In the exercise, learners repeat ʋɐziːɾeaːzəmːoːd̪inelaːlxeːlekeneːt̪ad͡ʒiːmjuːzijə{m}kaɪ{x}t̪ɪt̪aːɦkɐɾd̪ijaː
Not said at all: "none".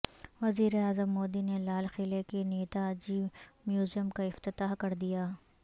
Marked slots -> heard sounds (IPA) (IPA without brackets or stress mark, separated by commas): m, f